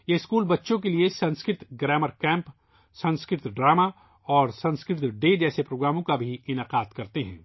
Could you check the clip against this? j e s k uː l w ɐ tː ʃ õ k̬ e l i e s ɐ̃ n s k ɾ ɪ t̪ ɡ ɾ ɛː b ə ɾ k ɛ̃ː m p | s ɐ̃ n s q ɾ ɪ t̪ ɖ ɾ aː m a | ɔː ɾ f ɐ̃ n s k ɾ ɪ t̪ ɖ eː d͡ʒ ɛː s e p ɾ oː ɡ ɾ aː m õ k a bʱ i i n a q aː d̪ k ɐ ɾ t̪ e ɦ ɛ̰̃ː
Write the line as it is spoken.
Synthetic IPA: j e s k uː l b ɐ tː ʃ õ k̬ e l i e s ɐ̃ n s k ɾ ɪ t̪ ɡ ɾ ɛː m ə ɾ k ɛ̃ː m p | s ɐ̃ n s k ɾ ɪ t̪ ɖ ɾ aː m a | ɔː ɾ s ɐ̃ n s k ɾ ɪ t̪ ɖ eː d͡ʒ ɛː s e p ɾ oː ɡ ɾ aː m õ k a bʱ i ɪ n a q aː d̪ k ɐ ɾ t̪ e ɦ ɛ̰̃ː